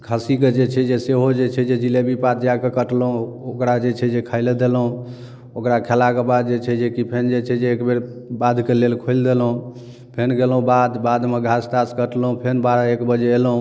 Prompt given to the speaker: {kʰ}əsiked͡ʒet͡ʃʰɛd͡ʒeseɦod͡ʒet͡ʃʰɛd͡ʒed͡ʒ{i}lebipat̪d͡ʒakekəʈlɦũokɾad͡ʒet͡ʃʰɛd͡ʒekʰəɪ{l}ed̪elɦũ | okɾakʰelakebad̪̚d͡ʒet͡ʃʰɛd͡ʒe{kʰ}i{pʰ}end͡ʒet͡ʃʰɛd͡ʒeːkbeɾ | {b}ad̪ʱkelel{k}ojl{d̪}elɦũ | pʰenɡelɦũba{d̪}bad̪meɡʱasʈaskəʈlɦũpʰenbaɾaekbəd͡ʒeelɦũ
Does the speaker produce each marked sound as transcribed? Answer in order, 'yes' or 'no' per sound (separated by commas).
yes, yes, yes, no, yes, yes, no, yes, yes